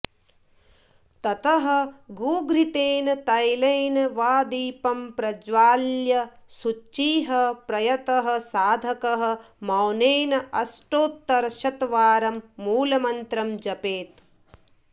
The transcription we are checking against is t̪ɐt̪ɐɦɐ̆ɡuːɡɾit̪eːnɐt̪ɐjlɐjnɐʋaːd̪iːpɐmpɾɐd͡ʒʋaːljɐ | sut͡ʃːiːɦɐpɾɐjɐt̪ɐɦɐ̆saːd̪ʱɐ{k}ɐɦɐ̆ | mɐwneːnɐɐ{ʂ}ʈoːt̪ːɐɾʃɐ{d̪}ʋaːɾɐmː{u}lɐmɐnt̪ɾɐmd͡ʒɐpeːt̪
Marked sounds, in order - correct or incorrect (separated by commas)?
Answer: correct, incorrect, incorrect, incorrect